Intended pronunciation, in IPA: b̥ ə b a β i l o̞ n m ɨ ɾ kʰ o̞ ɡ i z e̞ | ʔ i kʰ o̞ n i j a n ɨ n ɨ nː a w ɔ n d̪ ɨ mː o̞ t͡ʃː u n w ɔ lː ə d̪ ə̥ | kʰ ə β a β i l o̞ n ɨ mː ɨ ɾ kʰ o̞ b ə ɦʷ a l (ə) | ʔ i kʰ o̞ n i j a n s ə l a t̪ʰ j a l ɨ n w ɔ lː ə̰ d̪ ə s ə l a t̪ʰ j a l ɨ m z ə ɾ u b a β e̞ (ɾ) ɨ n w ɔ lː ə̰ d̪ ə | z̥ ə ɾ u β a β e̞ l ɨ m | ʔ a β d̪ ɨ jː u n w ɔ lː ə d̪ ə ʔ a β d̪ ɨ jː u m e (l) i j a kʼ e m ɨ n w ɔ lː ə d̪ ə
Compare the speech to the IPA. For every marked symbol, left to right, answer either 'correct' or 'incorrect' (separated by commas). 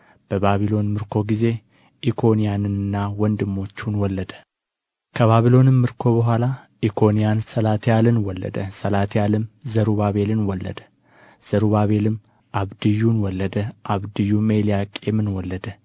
incorrect, incorrect, correct